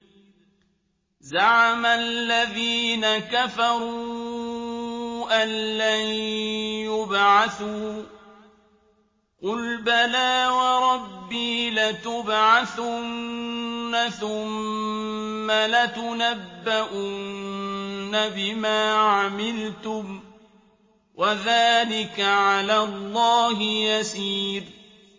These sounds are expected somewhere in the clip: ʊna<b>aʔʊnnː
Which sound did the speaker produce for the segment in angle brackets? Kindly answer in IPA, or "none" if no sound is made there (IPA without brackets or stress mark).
bː